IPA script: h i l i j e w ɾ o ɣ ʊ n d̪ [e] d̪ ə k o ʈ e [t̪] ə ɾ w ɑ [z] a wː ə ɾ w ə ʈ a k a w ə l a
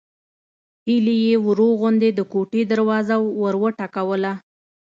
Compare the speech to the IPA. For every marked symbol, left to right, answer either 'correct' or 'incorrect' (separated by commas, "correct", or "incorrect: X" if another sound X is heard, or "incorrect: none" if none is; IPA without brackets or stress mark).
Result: correct, incorrect: d̪, correct